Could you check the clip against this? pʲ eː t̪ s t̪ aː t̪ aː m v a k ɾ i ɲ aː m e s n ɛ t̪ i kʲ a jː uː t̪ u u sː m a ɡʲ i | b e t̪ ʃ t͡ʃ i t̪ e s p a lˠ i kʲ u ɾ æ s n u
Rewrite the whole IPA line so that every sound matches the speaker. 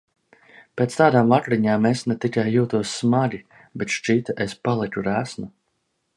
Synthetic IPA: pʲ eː t̪ s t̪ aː d̪ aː m v a k ɾ i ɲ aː m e s n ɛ t̪ i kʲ a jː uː t̪ u ɔ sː m a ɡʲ i | b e t̪ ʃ t͡ʃ i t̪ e s p a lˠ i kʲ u ɾ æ s n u

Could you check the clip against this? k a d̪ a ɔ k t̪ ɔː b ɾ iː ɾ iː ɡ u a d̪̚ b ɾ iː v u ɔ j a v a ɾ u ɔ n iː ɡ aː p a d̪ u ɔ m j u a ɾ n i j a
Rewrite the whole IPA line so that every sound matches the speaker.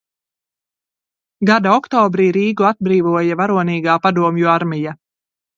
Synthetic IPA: ɡ a d̪ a ɔ k t̪ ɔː b ɾ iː ɾ iː ɡ u a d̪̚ b ɾ iː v u ɔ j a v a ɾ u ɔ n iː ɡ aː p a d̪ u ɔ m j u a ɾ m i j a

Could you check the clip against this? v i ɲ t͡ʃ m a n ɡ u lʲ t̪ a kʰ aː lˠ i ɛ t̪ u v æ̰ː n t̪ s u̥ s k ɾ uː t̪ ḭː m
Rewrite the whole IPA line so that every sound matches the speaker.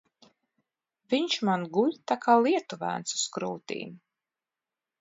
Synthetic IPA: v i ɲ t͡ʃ m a n ɡ u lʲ t̪ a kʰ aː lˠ i ɛ t̪ u v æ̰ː n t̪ s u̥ s k ɾ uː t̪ ḭː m

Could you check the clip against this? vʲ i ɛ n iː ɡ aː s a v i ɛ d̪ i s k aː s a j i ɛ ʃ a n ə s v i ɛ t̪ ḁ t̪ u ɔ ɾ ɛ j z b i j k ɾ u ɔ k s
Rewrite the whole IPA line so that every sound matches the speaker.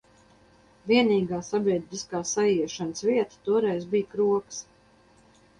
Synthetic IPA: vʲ i ɛ n iː ɡ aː s a b i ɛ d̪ i s k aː s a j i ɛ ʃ a n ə s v i ɛ t̪ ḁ t̪ u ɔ ɾ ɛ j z b i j k ɾ u ɔ k s

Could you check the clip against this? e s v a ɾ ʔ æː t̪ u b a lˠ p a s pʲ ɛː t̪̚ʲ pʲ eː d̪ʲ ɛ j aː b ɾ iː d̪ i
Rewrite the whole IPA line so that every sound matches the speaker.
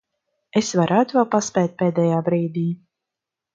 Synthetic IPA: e s v a ɾ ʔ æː t̪ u v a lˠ p a s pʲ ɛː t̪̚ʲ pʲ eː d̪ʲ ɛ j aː b ɾ iː d̪ iː

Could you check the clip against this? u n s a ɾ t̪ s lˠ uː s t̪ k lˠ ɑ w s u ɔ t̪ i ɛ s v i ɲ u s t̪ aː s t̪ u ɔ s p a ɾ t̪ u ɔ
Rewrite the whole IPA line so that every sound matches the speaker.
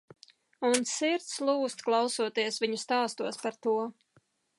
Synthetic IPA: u n s i ɾ t̪ s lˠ uː s t̪ k lˠ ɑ w s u ɔ t̪ i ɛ s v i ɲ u s t̪ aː s t̪ u ɔ s p a ɾ t̪ u ɔ

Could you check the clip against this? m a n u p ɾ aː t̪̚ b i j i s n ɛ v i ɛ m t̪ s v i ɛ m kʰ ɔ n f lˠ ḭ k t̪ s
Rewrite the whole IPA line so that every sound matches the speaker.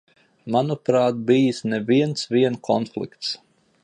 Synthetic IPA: m a n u p ɾ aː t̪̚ b i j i s n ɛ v i ɛ n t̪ s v i ɛ n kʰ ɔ n f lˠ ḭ k t̪ s

